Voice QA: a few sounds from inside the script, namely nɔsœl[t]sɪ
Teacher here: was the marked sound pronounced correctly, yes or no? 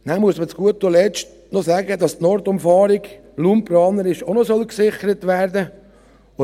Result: no